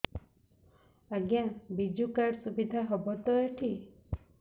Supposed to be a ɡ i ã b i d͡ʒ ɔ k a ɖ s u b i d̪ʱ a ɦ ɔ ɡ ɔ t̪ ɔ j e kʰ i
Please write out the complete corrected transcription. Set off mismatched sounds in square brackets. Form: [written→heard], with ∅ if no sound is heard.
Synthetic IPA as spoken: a ɡ [i→j] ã b i d͡ʒ [ɔ→u] k a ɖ s u b i d̪ʱ a ɦ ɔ [ɡ→b] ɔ t̪ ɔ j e [kʰ→ʈʰ] i